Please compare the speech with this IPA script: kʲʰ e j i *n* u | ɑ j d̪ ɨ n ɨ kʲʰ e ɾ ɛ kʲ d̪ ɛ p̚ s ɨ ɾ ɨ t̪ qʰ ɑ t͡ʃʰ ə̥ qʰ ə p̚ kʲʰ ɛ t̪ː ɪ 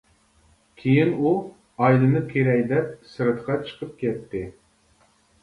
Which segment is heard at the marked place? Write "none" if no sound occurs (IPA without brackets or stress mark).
n